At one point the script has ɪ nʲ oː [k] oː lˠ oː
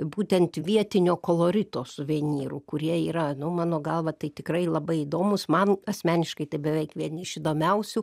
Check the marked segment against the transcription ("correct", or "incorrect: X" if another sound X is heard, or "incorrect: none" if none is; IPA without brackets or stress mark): correct